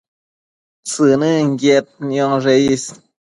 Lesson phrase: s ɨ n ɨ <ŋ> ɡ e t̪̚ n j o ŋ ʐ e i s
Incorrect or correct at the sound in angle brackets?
correct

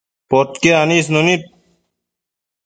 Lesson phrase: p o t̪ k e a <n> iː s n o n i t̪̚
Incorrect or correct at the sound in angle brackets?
correct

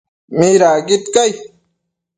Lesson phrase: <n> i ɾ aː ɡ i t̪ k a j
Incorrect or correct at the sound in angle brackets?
incorrect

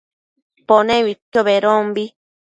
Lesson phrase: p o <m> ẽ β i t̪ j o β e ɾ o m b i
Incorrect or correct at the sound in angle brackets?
incorrect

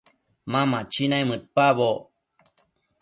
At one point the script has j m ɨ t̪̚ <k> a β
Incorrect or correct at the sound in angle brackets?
incorrect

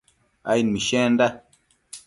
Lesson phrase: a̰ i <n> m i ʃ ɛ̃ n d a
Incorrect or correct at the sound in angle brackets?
correct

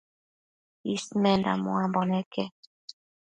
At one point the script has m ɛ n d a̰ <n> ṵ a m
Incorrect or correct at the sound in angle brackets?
incorrect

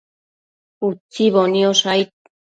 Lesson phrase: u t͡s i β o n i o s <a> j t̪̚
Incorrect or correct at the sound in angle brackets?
correct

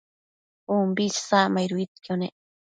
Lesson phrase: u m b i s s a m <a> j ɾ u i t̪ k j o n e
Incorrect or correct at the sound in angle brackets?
correct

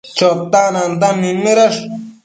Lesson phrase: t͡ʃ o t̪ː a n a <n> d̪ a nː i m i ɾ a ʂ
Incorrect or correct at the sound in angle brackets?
correct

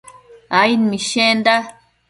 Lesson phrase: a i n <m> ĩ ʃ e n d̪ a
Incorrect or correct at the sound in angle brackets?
correct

